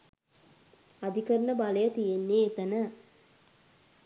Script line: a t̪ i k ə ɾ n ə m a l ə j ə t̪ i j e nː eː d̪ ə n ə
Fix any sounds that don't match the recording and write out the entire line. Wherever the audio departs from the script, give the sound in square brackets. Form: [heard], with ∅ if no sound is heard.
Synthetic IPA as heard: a [d̪] i k ə ɾ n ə [b] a l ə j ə t̪ i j e nː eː [t̪] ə n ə